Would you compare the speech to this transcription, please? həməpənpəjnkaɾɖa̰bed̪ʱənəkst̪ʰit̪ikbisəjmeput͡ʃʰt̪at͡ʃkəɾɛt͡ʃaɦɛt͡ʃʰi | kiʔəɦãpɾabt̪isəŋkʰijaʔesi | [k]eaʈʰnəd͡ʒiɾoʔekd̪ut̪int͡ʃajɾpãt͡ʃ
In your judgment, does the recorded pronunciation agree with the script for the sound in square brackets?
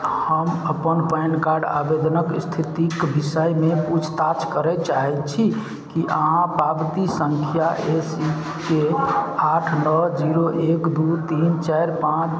yes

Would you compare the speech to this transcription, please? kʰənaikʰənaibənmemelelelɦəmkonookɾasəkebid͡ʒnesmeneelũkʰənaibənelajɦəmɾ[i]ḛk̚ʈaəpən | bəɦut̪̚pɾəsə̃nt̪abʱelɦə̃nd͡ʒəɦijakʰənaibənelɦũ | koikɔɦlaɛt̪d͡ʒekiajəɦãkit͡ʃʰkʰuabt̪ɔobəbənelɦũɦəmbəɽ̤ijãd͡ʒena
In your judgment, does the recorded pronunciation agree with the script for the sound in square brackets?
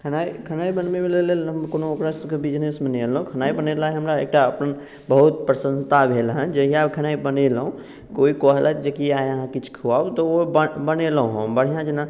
no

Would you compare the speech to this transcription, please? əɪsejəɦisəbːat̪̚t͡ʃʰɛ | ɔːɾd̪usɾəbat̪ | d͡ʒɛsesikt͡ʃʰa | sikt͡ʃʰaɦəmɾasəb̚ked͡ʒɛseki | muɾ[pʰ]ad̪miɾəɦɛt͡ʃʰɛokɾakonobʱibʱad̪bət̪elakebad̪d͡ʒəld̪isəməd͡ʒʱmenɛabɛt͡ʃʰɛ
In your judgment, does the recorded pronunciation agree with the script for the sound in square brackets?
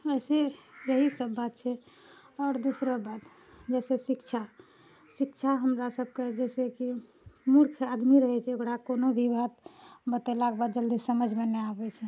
no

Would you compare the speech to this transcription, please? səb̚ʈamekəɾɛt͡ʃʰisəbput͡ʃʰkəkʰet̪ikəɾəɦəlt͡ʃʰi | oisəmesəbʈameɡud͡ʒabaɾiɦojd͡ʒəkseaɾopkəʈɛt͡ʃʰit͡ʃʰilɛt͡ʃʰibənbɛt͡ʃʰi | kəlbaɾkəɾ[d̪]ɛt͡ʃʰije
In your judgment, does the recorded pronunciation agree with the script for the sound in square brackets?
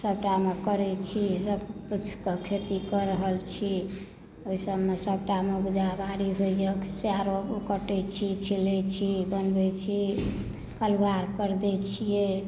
yes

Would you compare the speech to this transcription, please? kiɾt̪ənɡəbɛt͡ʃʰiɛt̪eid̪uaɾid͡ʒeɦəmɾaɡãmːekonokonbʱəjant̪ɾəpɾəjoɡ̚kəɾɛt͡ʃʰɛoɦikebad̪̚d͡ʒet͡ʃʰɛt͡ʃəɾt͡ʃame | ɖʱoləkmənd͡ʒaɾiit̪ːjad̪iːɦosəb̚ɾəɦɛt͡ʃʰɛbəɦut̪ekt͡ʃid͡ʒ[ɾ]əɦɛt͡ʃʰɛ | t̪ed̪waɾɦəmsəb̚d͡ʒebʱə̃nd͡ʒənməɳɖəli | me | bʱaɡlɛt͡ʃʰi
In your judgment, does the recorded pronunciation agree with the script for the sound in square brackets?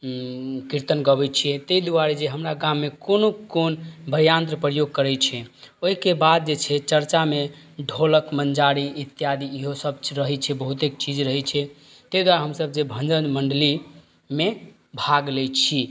yes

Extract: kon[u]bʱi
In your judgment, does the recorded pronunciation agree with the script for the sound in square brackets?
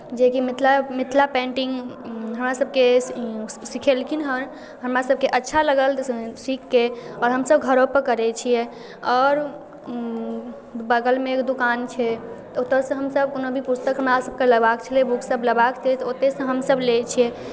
no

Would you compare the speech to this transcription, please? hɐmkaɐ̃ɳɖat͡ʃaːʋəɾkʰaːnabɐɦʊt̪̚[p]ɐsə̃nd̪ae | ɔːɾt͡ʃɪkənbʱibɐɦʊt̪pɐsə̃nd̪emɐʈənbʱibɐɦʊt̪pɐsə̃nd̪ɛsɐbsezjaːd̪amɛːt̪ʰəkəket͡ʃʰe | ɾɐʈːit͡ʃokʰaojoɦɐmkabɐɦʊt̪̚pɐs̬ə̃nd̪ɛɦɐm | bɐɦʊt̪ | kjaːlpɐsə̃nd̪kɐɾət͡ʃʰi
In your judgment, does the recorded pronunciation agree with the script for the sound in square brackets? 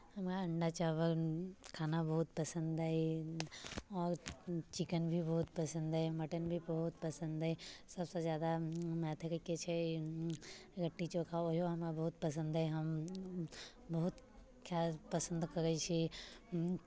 yes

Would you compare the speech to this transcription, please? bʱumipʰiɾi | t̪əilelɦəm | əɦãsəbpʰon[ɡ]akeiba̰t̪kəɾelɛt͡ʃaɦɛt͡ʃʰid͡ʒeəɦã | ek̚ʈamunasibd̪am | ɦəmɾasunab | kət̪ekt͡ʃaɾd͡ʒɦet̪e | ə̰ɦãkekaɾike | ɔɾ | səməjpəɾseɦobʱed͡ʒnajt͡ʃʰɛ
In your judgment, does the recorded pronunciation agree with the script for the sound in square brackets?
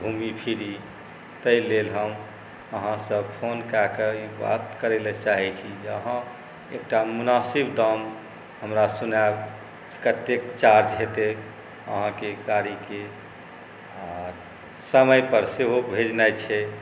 no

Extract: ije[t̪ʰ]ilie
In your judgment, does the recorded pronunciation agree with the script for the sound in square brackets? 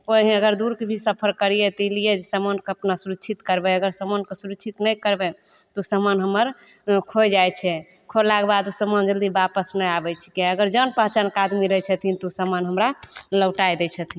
no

